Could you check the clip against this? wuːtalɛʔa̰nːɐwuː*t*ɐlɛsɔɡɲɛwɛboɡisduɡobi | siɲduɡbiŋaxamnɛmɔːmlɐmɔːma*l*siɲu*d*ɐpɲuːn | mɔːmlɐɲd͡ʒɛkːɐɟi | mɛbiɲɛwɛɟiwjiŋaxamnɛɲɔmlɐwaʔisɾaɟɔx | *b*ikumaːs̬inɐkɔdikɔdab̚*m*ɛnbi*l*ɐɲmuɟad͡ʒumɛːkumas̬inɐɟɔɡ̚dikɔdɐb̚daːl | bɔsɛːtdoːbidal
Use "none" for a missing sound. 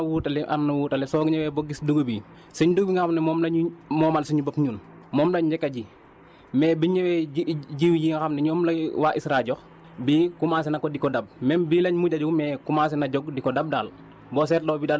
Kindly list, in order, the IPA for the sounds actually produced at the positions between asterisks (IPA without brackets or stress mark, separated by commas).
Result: t, l, b, b, m, l